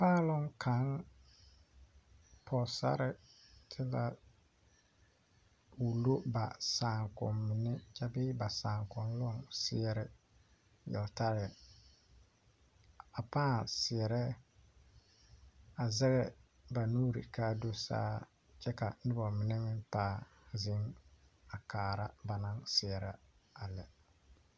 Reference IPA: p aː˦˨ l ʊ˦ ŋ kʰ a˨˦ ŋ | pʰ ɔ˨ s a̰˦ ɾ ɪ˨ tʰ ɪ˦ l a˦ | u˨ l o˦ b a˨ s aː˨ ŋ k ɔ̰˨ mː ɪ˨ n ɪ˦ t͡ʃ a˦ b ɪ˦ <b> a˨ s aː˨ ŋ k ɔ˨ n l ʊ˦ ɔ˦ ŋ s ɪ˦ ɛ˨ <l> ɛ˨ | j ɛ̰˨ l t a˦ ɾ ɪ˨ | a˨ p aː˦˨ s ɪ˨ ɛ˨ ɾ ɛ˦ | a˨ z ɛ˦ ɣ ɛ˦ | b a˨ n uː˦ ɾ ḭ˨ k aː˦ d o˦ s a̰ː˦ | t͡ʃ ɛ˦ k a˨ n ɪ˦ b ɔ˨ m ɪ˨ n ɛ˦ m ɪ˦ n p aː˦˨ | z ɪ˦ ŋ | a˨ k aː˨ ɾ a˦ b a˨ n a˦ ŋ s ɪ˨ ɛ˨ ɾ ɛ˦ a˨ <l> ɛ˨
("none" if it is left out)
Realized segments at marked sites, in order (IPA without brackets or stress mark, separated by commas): b, ɾ, l